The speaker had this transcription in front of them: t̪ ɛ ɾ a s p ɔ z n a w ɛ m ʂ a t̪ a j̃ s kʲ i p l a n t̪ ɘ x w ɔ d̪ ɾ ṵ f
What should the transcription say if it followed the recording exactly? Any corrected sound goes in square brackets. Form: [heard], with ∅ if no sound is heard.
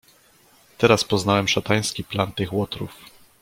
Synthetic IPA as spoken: t̪ ɛ ɾ a s p ɔ z n a w ɛ m ʂ a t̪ a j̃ s kʲ i p l a n t̪ ɘ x w ɔ [t̪] ɾ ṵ f